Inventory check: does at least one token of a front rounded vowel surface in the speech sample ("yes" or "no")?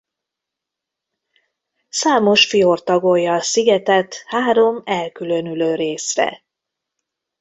yes